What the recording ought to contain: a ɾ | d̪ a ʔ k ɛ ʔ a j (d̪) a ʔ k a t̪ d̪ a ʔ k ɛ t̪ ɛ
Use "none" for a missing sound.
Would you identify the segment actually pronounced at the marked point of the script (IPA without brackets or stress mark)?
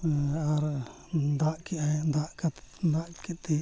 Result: d̪